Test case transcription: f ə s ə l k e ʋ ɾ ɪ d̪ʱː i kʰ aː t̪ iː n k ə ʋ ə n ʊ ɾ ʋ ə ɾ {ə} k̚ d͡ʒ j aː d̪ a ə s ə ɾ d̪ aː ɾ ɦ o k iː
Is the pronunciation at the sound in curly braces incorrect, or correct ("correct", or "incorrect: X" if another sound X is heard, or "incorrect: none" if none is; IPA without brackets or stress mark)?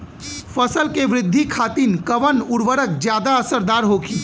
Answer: correct